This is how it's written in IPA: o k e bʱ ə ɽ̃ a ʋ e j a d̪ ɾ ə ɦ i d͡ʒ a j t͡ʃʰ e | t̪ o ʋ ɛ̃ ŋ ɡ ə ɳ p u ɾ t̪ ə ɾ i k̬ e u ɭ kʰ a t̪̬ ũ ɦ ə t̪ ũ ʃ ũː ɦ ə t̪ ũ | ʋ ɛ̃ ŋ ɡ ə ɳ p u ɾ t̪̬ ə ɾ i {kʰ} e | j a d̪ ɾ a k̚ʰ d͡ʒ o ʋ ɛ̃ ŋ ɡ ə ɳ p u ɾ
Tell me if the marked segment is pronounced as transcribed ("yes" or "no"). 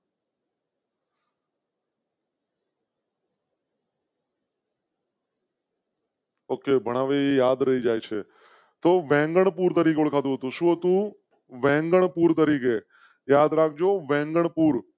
no